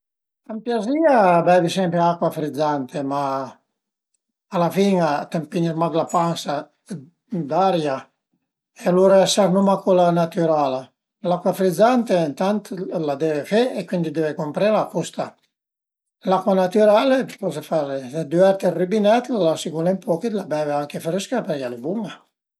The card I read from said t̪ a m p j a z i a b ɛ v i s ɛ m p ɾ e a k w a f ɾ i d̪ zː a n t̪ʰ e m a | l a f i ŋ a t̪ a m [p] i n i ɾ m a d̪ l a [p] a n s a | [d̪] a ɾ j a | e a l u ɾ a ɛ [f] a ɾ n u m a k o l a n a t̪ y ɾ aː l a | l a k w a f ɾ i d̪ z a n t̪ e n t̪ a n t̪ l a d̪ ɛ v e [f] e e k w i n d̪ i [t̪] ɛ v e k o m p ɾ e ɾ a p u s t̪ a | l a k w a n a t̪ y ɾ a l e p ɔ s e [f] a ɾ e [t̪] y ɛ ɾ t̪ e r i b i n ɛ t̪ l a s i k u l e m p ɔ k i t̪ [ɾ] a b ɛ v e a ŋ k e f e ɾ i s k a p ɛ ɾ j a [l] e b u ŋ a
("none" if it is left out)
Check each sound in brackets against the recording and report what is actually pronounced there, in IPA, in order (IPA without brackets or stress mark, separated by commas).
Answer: p, p, d̪, s, f, d̪, f, d̪, l, l